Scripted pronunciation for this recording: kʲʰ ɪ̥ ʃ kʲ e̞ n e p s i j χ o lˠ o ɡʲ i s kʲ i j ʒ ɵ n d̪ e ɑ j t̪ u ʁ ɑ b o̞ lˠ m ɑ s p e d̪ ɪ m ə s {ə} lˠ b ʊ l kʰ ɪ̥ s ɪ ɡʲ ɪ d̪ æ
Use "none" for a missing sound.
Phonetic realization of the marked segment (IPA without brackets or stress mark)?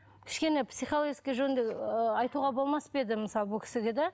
ɑ